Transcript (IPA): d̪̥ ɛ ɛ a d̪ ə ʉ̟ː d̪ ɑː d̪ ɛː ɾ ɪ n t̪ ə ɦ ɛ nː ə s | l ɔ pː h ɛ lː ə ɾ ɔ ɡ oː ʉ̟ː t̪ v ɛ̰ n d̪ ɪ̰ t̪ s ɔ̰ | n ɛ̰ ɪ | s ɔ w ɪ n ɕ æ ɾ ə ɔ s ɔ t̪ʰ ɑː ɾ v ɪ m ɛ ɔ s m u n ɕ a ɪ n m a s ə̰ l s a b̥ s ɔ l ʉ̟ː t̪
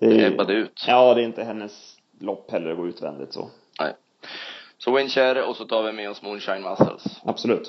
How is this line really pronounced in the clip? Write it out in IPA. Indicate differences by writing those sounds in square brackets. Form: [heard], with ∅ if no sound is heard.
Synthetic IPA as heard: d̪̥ ɛ ɛ a d̪ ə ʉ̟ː [t̪] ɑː d̪ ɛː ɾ ɪ n t̪ ə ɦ ɛ nː ə s | l ɔ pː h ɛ lː ə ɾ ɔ ɡ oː ʉ̟ː t̪ v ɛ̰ n d̪ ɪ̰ t̪ s ɔ̰ | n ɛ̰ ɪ | s ɔ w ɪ n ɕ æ ɾ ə ɔ s ɔ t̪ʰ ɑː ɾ v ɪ m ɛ ɔ s m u n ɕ a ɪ n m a s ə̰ l s a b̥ s ɔ l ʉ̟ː t̪